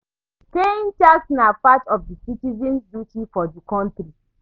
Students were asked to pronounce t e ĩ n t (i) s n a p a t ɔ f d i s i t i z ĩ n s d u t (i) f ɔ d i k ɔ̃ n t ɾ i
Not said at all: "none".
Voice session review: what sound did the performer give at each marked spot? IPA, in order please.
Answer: a, i

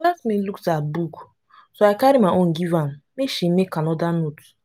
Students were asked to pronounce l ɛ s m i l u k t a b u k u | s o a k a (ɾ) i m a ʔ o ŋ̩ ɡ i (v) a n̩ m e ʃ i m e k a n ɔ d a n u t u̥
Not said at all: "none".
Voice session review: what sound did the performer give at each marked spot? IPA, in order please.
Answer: ɾ, v

